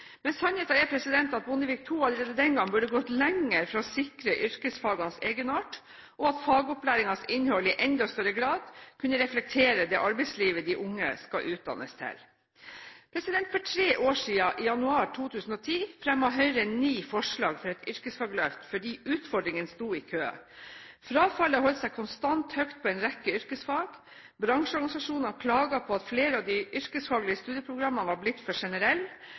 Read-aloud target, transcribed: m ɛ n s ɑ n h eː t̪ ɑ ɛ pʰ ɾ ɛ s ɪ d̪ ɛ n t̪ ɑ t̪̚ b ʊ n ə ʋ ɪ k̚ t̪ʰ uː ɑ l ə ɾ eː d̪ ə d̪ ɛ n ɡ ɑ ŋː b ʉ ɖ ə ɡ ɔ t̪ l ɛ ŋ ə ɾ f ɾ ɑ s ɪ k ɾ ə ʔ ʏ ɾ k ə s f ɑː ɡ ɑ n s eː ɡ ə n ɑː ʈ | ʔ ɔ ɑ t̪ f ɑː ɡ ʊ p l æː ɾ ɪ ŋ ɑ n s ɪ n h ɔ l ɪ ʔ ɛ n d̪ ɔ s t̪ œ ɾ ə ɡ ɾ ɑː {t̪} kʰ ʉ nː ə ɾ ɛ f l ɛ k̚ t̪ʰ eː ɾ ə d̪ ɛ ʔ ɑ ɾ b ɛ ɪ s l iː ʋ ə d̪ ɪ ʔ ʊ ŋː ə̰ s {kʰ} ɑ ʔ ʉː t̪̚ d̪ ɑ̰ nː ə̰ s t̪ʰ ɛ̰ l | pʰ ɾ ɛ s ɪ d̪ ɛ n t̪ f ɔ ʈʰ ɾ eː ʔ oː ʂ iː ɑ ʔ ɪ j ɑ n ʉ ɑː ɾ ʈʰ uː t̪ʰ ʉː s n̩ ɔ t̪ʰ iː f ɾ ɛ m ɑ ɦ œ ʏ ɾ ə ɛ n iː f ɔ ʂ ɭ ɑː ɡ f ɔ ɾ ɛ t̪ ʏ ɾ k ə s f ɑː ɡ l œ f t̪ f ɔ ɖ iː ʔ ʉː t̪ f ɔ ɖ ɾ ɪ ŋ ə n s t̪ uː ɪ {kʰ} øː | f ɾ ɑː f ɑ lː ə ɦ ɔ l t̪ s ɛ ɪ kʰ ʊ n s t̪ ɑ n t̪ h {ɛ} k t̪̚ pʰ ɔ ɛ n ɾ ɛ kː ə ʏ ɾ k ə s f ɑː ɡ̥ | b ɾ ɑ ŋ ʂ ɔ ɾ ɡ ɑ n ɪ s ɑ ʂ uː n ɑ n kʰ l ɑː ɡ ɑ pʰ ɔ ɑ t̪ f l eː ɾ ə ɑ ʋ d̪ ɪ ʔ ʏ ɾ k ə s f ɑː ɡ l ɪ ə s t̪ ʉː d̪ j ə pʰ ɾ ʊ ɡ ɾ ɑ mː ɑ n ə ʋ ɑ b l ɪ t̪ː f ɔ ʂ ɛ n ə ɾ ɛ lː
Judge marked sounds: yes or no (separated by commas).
no, no, yes, no